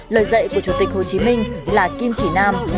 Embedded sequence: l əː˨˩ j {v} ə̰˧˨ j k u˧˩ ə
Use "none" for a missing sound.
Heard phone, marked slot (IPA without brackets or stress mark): z